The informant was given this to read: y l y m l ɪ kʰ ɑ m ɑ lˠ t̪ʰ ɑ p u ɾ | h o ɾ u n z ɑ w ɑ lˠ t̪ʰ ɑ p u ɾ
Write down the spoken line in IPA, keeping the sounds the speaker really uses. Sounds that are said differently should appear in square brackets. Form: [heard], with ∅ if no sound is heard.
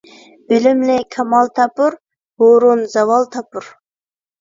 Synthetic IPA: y l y m l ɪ kʰ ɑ m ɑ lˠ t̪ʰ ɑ p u ɾ | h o ɾ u n z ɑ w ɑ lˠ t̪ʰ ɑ p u ɾ

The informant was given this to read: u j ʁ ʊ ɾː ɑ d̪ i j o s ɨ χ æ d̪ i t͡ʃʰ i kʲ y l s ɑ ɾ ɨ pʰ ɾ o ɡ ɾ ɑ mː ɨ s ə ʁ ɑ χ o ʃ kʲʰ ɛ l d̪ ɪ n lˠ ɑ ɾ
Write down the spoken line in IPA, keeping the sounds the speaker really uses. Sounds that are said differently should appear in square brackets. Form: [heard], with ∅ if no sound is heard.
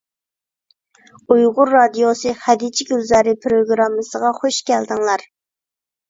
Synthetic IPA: u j ʁ ʊ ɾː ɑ d̪ i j o s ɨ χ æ d̪ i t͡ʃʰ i [ɡʲ] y l [z] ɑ ɾ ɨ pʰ ɾ o ɡ ɾ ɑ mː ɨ s ə ʁ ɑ χ o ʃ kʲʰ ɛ l d̪ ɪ [ŋ] lˠ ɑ ɾ

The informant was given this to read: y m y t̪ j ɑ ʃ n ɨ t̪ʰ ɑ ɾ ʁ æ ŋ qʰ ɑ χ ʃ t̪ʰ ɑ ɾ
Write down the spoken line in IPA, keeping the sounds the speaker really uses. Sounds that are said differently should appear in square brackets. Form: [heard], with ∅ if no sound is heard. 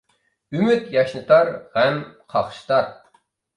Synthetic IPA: y m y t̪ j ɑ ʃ n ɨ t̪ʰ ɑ ɾ ʁ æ [m] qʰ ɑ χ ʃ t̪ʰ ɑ ɾ

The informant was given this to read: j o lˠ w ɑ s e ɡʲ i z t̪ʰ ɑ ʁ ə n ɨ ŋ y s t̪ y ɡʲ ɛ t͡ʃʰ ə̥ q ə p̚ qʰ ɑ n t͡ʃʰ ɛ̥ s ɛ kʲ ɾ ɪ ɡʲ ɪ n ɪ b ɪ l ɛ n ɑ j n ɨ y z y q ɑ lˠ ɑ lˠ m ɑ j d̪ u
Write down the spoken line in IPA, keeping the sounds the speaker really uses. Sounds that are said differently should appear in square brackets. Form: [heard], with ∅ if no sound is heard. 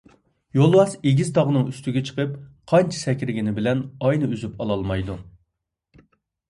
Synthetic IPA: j o lˠ w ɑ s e ɡʲ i z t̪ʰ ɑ ʁ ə n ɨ ŋ y s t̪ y ɡʲ ɛ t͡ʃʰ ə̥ q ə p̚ qʰ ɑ n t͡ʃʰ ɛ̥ s ɛ kʲ ɾ ɪ ɡʲ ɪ n ɪ b ɪ l ɛ n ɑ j n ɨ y z y [p] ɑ lˠ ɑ lˠ m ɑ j d̪ u

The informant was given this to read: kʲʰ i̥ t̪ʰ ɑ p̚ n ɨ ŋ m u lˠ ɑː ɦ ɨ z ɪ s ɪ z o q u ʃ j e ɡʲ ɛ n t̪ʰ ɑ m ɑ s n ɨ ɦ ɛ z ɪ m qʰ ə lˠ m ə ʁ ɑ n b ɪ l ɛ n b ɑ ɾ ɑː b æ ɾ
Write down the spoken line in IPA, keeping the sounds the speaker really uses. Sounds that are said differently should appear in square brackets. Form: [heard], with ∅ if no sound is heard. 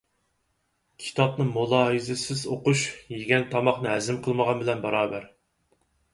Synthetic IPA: kʲʰ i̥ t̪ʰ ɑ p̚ n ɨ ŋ m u lˠ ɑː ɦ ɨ z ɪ s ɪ z o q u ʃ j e ɡʲ ɛ n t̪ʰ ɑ m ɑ [χ] n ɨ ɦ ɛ z ɪ m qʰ ə lˠ m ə ʁ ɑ n b ɪ l ɛ n b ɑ ɾ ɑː b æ ɾ

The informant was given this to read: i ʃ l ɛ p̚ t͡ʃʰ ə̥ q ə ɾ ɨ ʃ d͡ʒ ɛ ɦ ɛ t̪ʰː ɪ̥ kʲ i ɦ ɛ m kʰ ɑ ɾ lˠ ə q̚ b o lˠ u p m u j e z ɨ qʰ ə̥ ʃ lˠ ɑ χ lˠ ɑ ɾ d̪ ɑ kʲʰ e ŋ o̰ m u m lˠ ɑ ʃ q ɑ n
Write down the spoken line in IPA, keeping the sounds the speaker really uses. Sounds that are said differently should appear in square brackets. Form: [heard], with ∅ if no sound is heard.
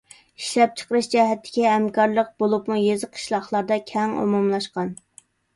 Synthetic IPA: i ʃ l ɛ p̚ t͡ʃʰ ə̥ q ə ɾ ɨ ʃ d͡ʒ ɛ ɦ ɛ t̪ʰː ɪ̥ kʲ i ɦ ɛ m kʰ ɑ ɾ lˠ ə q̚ b o lˠ u p m u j e z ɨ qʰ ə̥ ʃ lˠ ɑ χ lˠ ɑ ɾ d̪ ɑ kʲʰ [ɛ] ŋ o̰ m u m lˠ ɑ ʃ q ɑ n

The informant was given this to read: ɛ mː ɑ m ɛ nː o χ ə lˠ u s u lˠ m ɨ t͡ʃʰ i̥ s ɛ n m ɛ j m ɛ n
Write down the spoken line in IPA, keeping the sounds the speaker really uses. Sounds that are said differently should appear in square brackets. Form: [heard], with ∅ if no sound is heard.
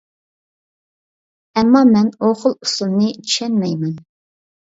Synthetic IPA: ɛ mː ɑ m ɛ [n] o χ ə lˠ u s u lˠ [n] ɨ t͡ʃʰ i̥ [ʃ] ɛ n m ɛ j m ɛ n

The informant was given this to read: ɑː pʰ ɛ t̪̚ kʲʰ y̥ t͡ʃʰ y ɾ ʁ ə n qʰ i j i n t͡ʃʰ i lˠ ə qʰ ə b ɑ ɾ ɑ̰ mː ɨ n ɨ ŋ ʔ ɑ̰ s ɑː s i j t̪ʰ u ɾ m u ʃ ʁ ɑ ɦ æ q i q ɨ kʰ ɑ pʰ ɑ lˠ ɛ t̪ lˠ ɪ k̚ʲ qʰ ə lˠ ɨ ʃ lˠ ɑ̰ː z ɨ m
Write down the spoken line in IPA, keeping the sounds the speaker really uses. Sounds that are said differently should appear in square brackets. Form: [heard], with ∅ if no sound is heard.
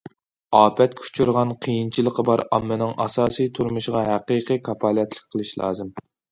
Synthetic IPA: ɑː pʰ ɛ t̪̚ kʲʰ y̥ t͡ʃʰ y ɾ ʁ [ɑ] n qʰ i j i n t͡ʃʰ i lˠ ə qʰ ə b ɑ ɾ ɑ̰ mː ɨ n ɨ ŋ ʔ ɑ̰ s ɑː s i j t̪ʰ u ɾ m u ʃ ʁ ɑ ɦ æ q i q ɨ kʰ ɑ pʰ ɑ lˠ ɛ t̪ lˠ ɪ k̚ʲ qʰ ə lˠ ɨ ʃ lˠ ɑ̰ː z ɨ m

